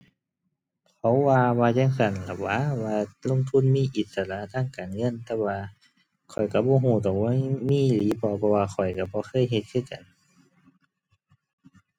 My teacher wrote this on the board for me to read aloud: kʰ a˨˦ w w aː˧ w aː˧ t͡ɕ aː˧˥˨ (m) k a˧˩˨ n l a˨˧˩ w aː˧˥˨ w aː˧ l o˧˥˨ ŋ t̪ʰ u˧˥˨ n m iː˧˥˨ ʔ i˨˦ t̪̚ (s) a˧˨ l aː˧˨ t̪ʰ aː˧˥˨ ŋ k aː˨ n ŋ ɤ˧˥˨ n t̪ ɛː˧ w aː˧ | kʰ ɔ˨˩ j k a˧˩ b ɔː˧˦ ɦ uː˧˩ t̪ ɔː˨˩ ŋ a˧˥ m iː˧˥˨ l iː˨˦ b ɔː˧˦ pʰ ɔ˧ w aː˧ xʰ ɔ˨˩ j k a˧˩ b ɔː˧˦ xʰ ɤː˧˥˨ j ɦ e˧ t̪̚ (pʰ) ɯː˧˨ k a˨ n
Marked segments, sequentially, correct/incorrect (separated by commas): incorrect, correct, incorrect